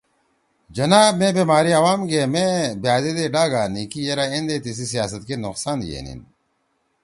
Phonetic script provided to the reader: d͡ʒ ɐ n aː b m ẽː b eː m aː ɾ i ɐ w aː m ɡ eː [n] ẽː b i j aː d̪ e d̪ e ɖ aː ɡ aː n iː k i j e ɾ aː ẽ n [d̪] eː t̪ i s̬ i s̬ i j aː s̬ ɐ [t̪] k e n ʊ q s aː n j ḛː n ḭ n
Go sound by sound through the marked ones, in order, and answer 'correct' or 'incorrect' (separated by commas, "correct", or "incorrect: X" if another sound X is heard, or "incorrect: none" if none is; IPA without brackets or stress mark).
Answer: incorrect: m, correct, correct